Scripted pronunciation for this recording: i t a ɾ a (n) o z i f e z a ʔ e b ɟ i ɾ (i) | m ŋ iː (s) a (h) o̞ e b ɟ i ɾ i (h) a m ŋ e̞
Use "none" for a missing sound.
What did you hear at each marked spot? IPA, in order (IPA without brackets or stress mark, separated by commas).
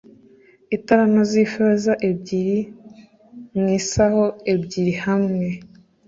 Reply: n, i, s, h, h